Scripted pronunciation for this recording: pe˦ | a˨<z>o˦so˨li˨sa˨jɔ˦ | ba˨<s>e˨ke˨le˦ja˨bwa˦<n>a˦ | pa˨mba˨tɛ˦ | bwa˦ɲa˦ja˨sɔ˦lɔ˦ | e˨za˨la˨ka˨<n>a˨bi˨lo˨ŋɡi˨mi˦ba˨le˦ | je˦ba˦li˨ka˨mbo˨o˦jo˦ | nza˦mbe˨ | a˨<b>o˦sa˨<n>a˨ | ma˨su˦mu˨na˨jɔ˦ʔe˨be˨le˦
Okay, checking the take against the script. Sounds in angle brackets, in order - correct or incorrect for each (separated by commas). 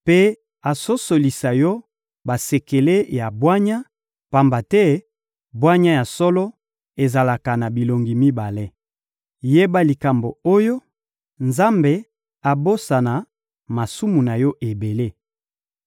incorrect, correct, incorrect, correct, correct, correct